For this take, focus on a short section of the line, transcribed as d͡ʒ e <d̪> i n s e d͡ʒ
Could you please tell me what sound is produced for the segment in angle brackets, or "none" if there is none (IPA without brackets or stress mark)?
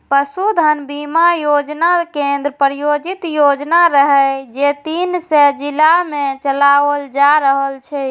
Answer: t̪